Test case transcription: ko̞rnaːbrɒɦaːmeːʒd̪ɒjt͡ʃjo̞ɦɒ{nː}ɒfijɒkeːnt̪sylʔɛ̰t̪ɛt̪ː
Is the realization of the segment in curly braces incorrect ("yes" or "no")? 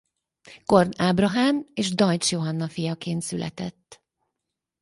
no